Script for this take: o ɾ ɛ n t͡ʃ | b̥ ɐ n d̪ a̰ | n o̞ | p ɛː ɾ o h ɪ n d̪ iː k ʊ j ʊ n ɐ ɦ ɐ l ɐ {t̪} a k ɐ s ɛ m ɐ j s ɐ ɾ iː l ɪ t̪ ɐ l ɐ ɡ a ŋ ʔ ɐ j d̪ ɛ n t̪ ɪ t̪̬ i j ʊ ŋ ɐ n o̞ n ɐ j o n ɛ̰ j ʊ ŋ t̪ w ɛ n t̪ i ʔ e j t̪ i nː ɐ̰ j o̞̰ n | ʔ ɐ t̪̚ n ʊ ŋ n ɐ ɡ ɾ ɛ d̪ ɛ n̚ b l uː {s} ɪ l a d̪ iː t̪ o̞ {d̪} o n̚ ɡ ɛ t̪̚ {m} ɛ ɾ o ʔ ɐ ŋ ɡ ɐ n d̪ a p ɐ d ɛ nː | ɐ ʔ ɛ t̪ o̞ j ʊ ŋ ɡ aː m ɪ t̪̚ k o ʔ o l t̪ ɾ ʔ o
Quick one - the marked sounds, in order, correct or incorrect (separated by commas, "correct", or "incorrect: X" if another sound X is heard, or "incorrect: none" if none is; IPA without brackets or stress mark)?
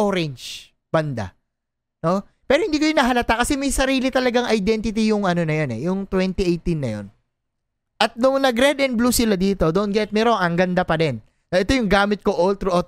correct, correct, correct, correct